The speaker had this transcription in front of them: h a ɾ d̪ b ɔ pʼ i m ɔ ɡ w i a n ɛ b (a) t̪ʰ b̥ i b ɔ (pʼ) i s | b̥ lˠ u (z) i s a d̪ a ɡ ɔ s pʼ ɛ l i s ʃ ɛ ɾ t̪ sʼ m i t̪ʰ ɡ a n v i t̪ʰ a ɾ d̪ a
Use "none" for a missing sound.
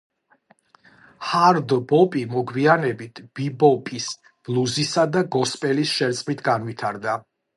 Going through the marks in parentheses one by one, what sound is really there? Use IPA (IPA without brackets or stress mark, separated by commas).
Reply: i, pʼ, z